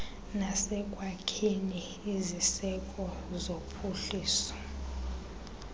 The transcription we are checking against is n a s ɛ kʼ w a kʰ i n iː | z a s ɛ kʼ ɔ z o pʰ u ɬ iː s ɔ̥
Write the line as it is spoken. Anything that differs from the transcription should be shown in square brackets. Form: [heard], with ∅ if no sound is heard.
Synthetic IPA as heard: n a s ɛ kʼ w a kʰ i n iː | z [i] s ɛ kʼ ɔ z o pʰ u ɬ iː s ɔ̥